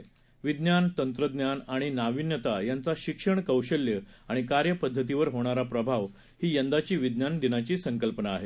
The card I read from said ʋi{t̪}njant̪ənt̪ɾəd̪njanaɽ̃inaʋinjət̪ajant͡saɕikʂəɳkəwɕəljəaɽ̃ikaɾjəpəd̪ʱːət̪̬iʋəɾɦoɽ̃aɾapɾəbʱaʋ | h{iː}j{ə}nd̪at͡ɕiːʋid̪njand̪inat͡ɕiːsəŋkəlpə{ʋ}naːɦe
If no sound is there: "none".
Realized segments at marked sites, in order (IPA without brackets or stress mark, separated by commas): d̪, iː, ə, none